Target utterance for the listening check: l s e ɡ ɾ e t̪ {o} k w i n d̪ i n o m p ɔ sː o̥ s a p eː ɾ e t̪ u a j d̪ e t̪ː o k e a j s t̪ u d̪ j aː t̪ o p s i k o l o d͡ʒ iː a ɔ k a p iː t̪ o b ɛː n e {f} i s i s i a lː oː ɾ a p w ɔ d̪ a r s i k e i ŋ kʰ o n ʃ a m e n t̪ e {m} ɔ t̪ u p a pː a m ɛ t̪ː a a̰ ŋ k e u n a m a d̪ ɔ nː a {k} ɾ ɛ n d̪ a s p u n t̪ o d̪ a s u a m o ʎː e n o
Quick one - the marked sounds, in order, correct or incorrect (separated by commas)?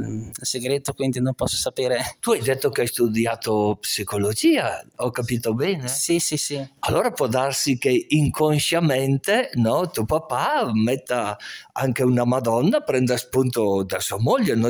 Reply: correct, incorrect, incorrect, incorrect